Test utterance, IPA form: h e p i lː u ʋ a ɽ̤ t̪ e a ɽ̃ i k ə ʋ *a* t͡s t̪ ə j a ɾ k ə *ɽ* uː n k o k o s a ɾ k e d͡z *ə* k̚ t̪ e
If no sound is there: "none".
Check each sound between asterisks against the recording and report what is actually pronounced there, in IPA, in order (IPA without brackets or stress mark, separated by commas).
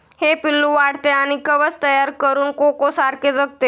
ə, ɾ, ə